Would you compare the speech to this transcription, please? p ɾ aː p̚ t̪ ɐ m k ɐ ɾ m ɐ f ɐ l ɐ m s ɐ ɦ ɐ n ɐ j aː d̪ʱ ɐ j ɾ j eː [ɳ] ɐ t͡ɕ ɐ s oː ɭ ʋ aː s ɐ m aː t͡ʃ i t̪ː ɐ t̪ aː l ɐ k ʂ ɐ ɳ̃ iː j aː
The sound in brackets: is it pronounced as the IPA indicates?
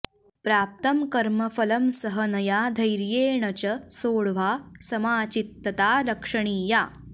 yes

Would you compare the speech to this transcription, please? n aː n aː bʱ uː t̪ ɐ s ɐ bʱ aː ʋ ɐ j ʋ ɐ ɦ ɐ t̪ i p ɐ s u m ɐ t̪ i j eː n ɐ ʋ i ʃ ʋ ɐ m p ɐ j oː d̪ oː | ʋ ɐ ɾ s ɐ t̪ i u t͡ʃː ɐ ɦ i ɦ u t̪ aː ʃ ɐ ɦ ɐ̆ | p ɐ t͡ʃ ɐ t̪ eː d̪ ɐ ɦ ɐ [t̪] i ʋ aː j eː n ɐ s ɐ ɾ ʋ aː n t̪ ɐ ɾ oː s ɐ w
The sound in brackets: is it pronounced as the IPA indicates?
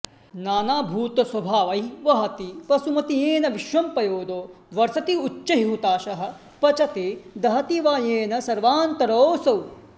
yes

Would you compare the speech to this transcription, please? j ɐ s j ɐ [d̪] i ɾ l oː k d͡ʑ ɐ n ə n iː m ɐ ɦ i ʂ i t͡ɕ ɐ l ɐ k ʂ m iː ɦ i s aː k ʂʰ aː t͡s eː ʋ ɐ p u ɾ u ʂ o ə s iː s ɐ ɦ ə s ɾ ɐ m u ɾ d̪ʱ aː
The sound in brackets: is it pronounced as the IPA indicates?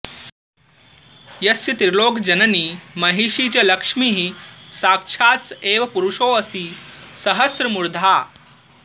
no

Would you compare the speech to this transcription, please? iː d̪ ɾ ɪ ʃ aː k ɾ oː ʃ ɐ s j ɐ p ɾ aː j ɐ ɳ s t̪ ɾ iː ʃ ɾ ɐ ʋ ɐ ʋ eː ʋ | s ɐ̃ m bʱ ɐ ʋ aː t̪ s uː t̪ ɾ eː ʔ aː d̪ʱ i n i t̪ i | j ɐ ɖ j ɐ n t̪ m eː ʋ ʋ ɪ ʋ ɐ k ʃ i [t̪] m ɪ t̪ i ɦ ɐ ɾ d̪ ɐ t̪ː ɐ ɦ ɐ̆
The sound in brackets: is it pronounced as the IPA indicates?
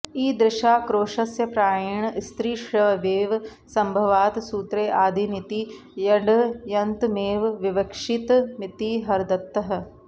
yes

